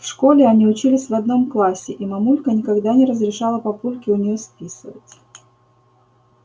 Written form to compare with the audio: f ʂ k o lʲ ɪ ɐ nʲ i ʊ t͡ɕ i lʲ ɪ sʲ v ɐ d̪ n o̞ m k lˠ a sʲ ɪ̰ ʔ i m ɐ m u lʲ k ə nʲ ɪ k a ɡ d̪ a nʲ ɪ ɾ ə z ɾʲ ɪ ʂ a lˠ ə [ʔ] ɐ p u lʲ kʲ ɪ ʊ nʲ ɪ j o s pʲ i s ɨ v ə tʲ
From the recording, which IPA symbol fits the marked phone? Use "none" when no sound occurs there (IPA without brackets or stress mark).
p